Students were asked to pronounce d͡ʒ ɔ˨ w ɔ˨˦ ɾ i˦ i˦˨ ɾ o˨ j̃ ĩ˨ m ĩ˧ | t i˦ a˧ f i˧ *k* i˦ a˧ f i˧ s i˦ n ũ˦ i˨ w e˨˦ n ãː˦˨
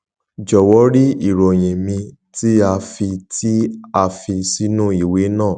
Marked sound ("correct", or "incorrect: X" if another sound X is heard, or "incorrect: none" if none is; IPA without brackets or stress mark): incorrect: t